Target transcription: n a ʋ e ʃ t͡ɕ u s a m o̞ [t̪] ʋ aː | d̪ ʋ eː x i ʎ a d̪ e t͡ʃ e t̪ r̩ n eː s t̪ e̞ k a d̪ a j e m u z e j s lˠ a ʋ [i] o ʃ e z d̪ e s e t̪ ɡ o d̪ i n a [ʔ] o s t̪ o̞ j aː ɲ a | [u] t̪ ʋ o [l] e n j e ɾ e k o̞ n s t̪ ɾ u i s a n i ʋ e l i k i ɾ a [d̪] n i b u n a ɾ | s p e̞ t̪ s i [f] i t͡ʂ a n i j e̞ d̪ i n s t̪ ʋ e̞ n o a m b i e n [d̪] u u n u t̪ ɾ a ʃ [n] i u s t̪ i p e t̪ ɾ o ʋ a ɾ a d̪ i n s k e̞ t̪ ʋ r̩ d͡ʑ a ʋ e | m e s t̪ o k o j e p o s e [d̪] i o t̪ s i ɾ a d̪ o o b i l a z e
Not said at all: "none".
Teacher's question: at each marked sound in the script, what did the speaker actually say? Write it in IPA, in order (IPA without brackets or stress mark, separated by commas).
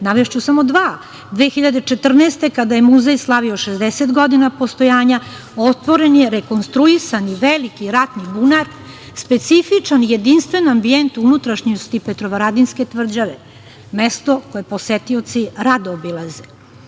d̪, i, p, o, ɾ, t̪, f, t̪, ɲ, t̪